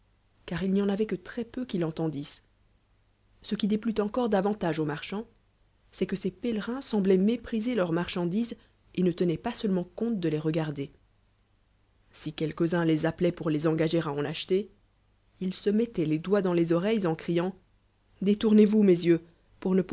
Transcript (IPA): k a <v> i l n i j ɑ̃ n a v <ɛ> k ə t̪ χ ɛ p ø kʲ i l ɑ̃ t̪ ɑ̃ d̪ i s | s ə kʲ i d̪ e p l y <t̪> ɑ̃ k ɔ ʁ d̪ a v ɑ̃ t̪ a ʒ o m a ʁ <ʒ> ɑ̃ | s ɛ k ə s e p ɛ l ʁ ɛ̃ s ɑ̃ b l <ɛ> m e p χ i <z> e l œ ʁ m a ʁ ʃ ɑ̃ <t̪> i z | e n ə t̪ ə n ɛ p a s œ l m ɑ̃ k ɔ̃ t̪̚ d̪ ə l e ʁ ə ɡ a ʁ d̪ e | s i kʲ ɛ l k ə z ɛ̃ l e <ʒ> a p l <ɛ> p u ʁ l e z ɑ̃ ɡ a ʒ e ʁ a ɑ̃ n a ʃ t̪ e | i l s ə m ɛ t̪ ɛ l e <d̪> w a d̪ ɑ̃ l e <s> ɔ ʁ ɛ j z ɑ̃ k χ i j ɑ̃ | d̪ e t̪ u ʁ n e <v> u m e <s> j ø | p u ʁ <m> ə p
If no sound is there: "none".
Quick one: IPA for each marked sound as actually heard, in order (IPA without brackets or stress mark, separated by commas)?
ʁ, ɛ, t̪, ʃ, ɛ, z, d̪, z, ɛ, d̪, z, v, z, n